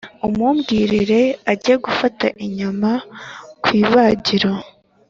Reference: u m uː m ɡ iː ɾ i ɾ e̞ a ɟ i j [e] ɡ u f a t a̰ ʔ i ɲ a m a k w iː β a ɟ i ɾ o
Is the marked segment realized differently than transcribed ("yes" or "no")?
no